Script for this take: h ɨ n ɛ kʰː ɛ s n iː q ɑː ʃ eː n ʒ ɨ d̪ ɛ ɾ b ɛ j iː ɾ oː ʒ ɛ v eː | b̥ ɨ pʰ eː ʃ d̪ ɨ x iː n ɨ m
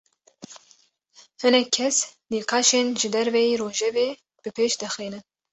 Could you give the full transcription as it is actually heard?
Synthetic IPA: h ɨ n ɛ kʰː ɛ s n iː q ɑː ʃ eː n ʒ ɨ d̪ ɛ ɾ v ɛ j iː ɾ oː ʒ ɛ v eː | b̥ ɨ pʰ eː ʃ d̪ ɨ x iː n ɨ n